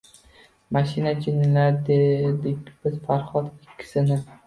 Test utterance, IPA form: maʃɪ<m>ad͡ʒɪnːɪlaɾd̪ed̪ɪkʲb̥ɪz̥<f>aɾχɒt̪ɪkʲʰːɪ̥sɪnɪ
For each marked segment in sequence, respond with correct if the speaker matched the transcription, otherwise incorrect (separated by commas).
incorrect, correct